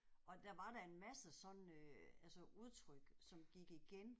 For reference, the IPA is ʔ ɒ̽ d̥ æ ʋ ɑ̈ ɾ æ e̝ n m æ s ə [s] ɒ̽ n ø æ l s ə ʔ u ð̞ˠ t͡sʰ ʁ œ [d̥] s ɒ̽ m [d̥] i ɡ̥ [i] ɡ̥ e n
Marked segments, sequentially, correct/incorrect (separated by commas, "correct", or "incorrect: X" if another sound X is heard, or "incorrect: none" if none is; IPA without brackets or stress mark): correct, incorrect: ɡ̥, incorrect: ɡ̥, correct